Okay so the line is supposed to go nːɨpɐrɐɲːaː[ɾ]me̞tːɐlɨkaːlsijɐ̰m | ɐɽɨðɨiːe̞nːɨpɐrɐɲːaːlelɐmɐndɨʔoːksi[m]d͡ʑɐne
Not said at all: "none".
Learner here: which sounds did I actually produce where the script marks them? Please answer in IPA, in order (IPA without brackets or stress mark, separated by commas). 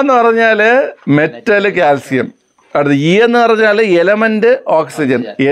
l, none